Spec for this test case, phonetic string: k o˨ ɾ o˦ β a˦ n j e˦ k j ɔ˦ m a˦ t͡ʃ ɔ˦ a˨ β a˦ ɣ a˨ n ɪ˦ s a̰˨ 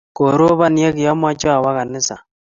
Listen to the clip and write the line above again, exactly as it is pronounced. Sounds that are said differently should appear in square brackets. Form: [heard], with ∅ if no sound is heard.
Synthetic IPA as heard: k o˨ ɾ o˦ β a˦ n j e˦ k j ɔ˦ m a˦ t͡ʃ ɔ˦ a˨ [w] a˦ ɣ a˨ n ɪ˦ s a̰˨